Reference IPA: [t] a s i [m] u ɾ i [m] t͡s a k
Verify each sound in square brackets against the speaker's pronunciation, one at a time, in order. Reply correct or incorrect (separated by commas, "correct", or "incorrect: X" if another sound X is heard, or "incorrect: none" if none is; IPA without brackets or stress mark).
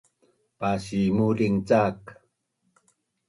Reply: incorrect: p, correct, incorrect: ŋ